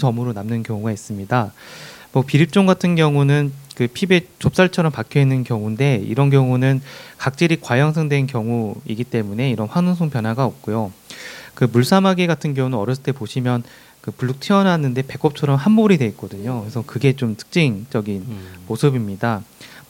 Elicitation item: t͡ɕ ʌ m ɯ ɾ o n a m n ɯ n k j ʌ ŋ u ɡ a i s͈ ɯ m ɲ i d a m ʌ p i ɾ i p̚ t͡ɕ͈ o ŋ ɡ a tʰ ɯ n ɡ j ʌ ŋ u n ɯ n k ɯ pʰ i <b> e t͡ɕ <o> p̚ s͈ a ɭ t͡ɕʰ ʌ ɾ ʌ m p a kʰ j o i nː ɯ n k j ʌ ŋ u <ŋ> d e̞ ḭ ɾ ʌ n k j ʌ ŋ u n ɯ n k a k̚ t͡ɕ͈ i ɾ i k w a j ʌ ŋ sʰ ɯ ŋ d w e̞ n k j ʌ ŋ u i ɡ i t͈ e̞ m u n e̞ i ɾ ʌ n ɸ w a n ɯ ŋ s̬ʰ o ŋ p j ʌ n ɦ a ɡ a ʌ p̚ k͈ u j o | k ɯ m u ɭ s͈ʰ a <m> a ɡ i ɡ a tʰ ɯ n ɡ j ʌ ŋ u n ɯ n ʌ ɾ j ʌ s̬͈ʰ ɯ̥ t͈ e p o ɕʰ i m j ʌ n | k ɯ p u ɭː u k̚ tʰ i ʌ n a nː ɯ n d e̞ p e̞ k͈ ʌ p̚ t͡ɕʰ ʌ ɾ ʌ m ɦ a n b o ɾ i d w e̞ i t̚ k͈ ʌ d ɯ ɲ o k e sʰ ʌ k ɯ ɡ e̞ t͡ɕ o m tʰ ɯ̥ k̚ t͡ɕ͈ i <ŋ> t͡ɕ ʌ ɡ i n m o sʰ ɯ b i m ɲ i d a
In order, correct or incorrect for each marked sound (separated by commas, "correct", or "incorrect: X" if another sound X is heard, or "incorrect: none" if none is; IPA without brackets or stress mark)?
correct, correct, incorrect: n, correct, correct